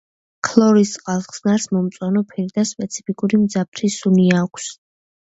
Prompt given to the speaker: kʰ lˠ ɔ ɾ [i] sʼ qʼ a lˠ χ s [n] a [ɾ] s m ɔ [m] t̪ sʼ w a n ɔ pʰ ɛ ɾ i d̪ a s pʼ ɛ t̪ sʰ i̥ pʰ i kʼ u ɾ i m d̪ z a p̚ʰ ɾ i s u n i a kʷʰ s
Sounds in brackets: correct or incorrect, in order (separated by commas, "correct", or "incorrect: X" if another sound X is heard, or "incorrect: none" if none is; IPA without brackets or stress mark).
correct, correct, correct, correct